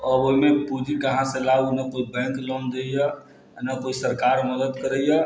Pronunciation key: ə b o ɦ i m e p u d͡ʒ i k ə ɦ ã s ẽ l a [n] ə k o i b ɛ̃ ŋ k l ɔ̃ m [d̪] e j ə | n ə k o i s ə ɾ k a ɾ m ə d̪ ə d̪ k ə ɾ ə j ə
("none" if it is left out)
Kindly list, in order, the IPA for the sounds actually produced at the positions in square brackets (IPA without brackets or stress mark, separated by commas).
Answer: n, d̪